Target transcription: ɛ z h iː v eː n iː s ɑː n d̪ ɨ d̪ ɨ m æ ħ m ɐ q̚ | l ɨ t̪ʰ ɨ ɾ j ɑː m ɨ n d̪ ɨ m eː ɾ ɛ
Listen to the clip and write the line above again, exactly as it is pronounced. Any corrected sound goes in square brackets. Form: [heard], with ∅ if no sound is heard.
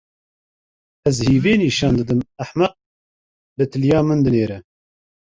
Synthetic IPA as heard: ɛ z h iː v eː n iː [ʃ] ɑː n d̪ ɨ d̪ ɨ m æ ħ m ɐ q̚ | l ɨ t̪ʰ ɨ [l] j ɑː m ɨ n d̪ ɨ [n] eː ɾ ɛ